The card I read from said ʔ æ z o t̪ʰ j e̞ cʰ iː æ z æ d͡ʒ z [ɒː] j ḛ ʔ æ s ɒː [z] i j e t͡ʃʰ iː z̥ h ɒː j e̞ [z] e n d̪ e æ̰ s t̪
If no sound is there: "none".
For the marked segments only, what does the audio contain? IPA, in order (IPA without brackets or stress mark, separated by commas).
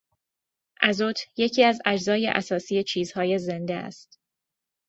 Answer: ɒː, s, z